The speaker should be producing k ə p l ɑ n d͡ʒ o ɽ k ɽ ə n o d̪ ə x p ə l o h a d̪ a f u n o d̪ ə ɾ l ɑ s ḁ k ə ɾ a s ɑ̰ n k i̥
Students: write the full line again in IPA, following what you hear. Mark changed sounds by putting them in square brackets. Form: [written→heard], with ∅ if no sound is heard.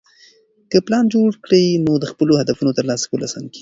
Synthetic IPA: k ə p l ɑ n d͡ʒ o ɽ k ɽ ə n o d̪ ə x p ə l o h a d̪ a f u n o [d̪→t̪] ə ɾ l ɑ s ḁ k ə [ɾ→l] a s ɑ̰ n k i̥